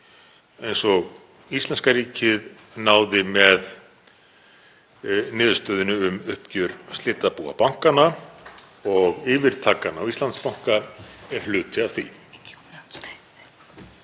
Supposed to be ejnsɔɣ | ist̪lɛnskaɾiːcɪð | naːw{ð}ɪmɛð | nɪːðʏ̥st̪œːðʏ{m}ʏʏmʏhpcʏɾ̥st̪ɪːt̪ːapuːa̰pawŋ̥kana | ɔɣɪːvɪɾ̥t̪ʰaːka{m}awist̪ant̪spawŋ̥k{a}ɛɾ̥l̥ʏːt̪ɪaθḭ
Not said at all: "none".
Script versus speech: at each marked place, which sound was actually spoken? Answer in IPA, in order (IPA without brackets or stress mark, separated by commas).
ð, n, n, a